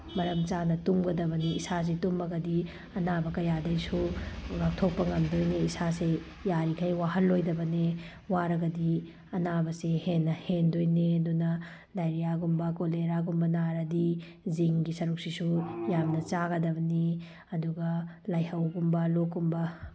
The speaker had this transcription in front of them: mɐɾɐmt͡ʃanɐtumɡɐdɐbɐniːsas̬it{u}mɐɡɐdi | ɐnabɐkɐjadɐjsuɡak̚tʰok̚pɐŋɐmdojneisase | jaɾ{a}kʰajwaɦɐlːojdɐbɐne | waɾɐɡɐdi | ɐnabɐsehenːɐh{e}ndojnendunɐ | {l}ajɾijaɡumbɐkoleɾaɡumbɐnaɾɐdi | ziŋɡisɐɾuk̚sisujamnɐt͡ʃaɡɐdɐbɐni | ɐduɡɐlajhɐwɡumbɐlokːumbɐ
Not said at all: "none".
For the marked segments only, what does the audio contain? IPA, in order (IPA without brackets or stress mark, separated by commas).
u, i, e, l